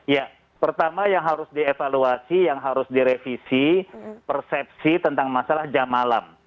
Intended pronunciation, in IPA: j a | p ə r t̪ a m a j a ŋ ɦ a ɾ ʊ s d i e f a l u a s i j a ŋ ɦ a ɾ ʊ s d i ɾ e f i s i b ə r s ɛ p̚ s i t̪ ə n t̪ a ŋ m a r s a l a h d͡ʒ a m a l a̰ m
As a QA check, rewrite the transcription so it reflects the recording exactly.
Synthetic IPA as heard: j a | p ə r t̪ a m a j a ŋ ɦ a ɾ ʊ s d i e f a l u a s i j a ŋ ɦ a ɾ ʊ s d i ɾ e f i s i p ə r s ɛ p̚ s i t̪ ə n t̪ a ŋ m a s a l a h d͡ʒ a m a l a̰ m